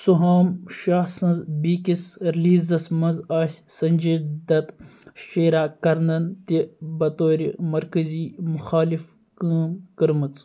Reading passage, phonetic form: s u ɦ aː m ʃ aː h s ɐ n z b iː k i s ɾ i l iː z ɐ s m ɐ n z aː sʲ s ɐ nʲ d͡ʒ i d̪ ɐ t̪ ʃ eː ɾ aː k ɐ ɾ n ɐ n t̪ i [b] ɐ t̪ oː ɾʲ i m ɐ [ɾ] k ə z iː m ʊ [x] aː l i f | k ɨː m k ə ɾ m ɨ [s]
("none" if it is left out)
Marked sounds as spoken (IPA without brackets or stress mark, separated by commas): b, ɾ, x, t͡s